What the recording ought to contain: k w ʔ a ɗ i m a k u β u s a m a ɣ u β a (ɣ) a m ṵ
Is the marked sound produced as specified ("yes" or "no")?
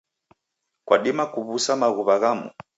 yes